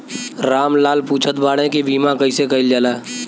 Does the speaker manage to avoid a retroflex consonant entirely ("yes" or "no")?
no